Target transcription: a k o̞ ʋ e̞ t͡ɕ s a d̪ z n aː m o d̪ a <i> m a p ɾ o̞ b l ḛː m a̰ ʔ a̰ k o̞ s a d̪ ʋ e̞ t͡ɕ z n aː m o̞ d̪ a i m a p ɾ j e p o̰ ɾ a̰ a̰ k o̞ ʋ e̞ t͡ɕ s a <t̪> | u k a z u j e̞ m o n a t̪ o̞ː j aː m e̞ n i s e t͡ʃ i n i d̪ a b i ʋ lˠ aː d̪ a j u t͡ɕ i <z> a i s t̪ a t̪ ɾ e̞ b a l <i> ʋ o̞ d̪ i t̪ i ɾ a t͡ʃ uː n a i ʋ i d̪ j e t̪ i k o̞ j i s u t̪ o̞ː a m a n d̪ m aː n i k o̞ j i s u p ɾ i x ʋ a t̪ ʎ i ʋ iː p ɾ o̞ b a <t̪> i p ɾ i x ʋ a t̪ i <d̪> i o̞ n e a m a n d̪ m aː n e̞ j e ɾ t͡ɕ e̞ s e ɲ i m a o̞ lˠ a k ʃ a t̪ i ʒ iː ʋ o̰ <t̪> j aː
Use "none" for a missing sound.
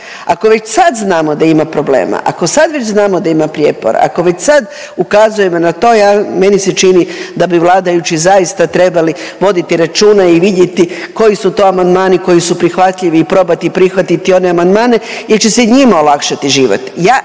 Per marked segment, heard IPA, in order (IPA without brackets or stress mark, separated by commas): i, d̪, z, i, t̪, t̪, t̪